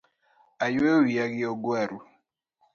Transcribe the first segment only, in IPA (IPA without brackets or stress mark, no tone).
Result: a